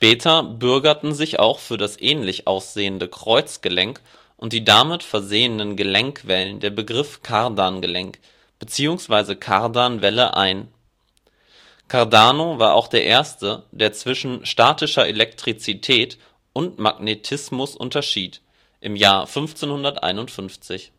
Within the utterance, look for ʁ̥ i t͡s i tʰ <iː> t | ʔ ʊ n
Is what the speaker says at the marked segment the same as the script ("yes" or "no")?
no